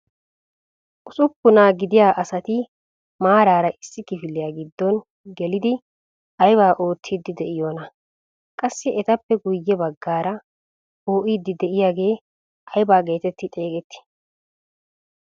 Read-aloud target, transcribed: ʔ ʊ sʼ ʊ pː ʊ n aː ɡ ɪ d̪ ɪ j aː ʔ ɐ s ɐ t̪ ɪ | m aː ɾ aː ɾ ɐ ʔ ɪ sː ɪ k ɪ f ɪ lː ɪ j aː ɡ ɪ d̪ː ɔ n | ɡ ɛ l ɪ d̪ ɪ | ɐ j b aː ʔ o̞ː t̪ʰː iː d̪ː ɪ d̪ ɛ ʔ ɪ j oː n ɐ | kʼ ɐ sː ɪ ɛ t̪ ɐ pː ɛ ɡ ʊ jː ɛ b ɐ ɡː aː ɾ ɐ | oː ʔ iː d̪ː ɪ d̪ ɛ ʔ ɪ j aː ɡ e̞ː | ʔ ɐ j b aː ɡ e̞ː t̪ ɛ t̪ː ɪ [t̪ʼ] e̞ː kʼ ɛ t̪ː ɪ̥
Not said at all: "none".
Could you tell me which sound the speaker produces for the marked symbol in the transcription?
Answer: t̪ʼ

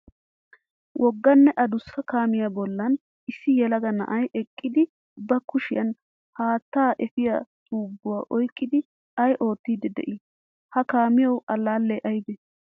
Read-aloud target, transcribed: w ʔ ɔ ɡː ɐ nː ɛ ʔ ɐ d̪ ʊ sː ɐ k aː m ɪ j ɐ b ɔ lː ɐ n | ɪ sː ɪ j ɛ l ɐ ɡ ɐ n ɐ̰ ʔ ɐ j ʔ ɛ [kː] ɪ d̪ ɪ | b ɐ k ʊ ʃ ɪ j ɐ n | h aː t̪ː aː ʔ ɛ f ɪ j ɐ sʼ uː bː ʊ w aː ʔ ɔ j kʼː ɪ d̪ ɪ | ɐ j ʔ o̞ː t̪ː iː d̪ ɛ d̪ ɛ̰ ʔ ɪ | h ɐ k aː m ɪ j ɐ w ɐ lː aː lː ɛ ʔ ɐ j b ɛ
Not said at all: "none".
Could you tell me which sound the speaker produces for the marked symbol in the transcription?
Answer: kʼː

